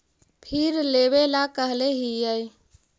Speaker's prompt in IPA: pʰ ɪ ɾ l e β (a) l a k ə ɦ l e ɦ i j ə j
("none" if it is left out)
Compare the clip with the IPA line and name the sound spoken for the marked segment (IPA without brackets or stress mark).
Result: e